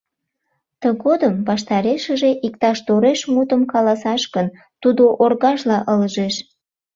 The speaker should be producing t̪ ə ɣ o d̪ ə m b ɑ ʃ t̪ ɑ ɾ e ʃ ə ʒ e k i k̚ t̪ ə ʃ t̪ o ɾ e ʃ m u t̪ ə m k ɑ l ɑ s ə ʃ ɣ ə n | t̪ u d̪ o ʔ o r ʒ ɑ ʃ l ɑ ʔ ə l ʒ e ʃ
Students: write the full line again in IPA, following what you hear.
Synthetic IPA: t̪ ə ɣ o d̪ ə m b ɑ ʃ t̪ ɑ ɾ e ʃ ə ʒ e ʔ i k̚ t̪ ɑ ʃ t̪ o ɾ e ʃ m u t̪ ə m k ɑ l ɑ s ɑ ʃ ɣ ə n | t̪ u d̪ o ʔ o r ɣ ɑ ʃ l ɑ ʔ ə l ʒ e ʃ